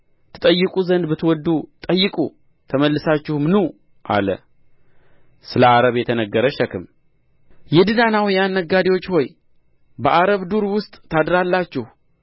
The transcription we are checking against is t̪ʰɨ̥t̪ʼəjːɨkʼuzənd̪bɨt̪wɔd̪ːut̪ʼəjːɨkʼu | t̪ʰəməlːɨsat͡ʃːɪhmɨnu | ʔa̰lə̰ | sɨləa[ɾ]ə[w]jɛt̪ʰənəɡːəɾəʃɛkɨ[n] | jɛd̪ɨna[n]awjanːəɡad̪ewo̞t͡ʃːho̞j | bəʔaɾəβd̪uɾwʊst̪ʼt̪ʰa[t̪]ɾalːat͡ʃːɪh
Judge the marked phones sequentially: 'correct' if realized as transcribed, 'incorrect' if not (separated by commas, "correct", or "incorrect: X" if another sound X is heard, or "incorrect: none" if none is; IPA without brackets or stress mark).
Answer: correct, incorrect: β, incorrect: m, correct, incorrect: d̪